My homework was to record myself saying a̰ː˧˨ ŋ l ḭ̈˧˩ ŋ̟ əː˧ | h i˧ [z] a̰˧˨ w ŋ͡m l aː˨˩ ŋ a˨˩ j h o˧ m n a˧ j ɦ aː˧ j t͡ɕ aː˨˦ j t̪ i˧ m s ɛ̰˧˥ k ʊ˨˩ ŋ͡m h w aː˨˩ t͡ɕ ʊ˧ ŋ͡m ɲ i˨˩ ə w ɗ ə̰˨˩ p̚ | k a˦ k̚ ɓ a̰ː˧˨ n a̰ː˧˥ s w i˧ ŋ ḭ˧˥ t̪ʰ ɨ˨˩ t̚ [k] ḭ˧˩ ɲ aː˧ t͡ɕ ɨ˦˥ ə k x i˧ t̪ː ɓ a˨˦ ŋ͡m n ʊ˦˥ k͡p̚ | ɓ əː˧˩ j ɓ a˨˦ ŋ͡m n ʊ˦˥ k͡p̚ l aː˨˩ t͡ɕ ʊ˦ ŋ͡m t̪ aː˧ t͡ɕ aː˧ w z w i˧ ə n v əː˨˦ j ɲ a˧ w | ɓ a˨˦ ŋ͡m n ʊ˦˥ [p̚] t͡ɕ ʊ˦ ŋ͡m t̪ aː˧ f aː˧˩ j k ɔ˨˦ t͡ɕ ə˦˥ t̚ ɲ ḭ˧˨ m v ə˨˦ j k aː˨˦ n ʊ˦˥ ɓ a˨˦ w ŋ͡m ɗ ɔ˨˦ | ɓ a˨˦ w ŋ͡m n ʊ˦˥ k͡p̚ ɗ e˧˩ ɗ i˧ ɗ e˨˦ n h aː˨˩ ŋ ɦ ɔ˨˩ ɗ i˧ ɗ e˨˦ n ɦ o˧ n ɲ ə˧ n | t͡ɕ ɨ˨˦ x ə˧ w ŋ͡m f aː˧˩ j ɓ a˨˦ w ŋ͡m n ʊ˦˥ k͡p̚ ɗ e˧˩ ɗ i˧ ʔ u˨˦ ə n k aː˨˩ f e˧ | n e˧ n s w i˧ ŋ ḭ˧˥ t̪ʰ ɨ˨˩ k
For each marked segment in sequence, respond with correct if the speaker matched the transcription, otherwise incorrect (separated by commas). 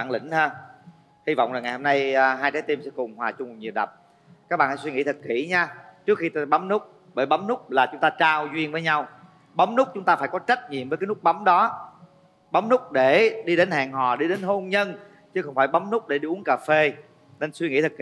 incorrect, correct, incorrect